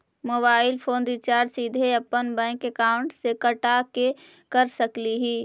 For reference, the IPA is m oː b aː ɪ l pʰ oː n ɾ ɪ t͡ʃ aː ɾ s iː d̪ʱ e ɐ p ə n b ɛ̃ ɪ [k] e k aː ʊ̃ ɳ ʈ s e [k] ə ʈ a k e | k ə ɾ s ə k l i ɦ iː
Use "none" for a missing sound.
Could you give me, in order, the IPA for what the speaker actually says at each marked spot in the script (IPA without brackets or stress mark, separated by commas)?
k, k